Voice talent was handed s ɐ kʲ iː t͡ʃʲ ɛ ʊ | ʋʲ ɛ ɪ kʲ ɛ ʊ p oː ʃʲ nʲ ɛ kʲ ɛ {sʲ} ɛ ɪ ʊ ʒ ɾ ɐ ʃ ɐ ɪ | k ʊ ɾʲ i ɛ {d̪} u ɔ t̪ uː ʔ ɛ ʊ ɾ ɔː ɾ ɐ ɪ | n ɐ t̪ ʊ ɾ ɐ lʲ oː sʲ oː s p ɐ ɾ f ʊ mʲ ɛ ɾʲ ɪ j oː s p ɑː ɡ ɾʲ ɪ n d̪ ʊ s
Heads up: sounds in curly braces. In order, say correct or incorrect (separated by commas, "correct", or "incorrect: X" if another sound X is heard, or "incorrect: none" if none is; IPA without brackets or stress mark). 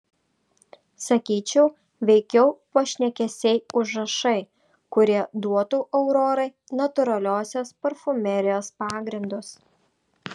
correct, correct